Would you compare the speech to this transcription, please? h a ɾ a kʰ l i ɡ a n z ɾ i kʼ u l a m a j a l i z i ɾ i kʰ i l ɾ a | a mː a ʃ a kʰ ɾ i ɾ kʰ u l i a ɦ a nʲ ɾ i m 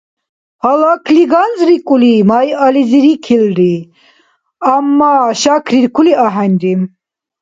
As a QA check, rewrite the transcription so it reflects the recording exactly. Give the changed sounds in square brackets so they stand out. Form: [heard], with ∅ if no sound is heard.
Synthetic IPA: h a [l] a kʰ l i ɡ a n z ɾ i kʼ u l [i] m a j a l i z i ɾ i kʰ i l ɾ [i] | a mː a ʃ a kʰ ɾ i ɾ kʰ u l i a ɦ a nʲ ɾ i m